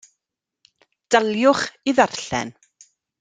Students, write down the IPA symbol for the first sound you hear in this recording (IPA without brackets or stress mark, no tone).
d̥